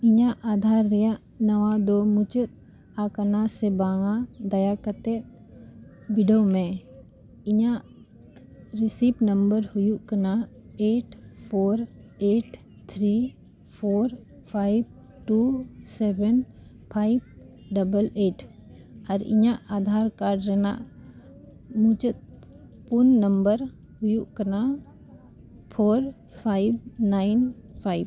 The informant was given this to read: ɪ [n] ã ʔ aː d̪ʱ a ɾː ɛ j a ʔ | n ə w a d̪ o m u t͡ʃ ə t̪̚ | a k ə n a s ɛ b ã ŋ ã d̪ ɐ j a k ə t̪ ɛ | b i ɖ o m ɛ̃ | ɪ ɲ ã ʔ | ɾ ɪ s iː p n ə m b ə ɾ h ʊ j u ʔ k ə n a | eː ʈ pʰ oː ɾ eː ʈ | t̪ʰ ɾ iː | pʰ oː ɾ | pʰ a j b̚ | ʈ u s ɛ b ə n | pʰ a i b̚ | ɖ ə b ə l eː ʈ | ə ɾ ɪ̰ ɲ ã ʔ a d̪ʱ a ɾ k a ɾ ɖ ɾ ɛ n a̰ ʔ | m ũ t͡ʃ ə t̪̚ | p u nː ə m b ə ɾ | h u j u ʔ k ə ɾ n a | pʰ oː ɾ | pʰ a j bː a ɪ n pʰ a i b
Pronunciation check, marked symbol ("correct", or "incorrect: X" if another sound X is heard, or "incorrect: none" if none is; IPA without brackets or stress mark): incorrect: ɲ